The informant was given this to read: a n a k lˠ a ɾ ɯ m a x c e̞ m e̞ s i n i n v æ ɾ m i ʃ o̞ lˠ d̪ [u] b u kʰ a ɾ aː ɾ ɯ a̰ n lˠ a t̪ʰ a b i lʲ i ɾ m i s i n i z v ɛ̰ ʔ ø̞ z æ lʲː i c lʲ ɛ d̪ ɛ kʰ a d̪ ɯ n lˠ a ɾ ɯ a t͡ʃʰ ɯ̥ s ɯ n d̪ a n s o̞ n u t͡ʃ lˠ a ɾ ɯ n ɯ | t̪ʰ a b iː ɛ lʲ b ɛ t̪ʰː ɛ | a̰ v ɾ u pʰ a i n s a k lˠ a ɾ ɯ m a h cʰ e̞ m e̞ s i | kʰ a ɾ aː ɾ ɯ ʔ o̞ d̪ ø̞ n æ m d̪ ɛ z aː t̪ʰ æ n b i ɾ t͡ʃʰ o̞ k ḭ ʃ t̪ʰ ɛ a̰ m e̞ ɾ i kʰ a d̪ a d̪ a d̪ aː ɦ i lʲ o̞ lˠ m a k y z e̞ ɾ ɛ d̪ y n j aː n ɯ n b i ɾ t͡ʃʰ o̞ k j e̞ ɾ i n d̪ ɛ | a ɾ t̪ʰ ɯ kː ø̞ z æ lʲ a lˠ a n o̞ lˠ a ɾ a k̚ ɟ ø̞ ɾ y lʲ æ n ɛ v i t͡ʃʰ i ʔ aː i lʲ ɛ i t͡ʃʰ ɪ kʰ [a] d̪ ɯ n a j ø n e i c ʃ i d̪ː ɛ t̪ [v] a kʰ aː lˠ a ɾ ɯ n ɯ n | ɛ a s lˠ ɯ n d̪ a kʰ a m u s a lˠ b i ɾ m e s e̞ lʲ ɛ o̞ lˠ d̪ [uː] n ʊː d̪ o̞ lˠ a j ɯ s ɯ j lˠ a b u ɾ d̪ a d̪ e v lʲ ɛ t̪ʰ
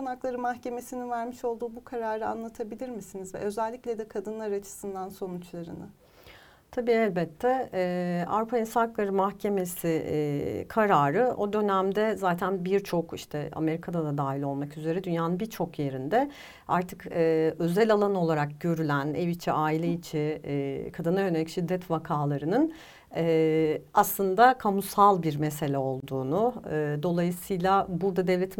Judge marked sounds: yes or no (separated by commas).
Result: no, yes, yes, yes